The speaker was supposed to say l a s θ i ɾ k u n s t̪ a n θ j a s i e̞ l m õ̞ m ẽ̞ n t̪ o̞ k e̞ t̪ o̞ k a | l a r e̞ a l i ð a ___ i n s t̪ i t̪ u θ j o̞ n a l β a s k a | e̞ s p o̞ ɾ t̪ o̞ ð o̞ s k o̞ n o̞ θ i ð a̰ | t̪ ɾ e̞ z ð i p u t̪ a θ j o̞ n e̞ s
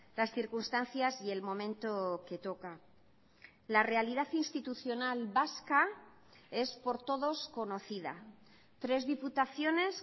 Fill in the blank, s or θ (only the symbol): θ